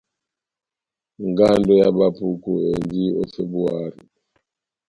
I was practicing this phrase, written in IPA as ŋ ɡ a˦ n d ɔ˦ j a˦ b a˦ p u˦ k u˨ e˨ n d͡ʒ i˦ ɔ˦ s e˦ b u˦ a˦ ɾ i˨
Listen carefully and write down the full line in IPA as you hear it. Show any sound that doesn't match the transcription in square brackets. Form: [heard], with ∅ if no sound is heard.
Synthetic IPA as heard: ŋ ɡ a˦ n d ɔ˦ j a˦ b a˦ p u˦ k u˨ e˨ n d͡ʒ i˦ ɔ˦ s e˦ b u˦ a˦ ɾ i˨